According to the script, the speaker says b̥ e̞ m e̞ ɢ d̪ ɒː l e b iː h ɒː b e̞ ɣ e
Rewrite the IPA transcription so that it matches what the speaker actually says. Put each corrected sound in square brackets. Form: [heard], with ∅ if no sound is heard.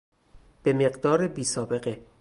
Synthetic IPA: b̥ e̞ m e̞ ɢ d̪ ɒː [ɾ] e b iː [s] ɒː b e̞ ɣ e